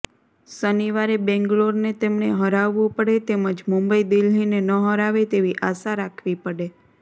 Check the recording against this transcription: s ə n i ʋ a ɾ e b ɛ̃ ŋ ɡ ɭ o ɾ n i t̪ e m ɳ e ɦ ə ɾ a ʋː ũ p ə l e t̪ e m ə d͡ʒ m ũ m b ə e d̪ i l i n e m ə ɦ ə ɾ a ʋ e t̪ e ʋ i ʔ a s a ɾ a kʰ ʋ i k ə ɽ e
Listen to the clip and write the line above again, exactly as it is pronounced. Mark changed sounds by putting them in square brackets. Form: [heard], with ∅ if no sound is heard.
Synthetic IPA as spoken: s ə n i ʋ a ɾ e b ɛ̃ ŋ ɡ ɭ o ɾ n [e] t̪ e m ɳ e ɦ ə ɾ a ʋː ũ p ə [ɽ] e t̪ e m ə d͡ʒ m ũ m b ə [i] d̪ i l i n e [n] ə ɦ ə ɾ a ʋ e t̪ e ʋ i ʔ a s a ɾ a kʰ ʋ i [p] ə ɽ e